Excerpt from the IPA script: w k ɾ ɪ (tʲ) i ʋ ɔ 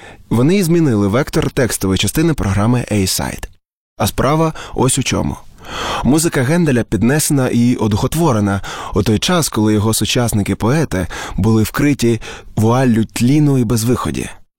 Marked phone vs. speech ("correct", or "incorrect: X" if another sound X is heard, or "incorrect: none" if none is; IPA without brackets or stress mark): correct